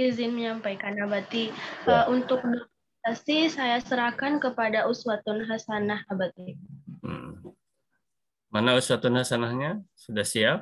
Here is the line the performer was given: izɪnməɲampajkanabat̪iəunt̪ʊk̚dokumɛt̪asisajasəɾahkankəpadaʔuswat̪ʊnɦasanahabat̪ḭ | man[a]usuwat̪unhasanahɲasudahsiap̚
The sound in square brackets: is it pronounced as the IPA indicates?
yes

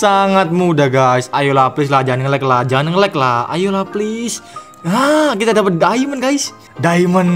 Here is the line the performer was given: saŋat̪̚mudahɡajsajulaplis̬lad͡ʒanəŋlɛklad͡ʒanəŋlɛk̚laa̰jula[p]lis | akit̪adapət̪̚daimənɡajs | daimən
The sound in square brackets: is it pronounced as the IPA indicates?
yes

